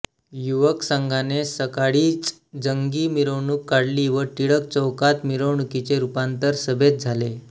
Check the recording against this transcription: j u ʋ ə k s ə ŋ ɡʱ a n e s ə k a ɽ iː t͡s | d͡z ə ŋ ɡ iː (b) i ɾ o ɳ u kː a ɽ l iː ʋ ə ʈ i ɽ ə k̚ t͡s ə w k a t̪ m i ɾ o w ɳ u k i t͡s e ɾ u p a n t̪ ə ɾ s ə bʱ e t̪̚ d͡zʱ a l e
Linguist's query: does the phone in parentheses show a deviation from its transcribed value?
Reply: yes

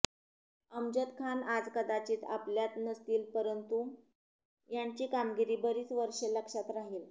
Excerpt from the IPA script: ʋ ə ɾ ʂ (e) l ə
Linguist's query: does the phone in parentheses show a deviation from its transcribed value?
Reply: no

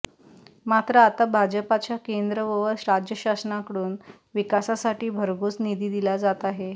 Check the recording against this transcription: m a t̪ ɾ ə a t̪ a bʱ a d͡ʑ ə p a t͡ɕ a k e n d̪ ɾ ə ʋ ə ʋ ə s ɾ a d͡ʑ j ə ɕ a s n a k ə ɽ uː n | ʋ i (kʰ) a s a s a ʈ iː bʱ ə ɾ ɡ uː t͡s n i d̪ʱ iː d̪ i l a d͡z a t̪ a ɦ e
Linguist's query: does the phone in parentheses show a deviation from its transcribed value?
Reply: yes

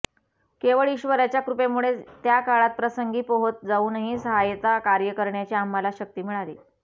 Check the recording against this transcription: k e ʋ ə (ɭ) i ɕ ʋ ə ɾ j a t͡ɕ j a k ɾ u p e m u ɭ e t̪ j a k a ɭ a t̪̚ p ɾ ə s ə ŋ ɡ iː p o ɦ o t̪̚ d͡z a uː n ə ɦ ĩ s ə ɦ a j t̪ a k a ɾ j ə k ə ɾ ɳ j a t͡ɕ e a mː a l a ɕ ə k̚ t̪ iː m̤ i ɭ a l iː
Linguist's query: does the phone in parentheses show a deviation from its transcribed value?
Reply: no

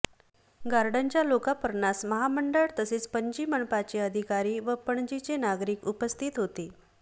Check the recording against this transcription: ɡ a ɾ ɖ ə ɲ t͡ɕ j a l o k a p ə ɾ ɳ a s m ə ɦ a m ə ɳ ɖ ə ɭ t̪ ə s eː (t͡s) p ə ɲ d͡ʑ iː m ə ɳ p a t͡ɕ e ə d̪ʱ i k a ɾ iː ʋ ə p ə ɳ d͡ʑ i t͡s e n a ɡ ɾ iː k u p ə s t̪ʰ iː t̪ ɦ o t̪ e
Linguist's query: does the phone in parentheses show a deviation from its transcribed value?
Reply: no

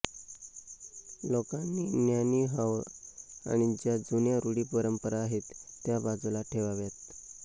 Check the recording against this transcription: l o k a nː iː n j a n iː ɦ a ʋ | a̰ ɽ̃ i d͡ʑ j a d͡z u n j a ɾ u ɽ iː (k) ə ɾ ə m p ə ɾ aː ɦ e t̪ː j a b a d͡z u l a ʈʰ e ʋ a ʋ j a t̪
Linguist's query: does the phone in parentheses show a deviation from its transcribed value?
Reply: yes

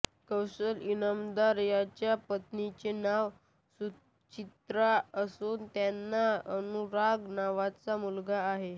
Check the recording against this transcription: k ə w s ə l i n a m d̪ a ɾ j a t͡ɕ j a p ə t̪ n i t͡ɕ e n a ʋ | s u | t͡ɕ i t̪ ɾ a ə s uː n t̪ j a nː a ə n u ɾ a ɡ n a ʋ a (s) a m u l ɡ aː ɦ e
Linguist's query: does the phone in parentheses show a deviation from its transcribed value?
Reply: yes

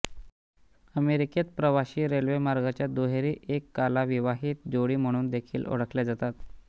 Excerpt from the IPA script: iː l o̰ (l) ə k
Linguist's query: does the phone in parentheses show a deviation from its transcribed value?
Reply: yes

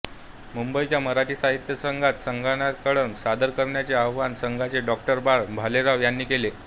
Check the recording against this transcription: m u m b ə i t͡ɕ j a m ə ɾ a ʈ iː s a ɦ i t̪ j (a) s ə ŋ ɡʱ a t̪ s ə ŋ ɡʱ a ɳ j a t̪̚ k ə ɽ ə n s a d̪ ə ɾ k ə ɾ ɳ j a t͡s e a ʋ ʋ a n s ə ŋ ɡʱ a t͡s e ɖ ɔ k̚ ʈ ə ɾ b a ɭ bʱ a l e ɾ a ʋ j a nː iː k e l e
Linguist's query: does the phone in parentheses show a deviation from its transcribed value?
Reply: yes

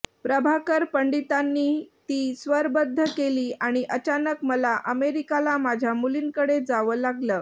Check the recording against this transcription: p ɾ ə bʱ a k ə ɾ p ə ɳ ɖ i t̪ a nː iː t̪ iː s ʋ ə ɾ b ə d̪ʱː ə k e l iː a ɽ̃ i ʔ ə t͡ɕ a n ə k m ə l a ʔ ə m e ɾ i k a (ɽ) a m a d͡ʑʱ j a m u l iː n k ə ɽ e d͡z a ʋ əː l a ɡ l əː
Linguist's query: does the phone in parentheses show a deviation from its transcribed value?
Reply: yes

